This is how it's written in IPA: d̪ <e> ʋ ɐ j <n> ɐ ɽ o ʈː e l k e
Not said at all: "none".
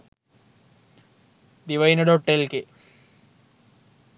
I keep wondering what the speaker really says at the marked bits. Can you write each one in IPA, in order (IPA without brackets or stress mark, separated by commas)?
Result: i, n